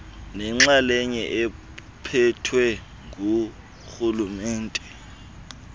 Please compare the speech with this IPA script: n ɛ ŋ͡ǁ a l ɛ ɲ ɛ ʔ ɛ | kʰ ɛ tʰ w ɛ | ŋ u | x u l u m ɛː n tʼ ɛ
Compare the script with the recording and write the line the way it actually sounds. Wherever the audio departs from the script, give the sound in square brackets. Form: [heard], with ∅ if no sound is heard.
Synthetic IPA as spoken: n ɛ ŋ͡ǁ a l ɛ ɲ ɛ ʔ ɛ | [pʰ] ɛ tʰ w ɛ | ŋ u | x u l u m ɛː n tʼ ɛ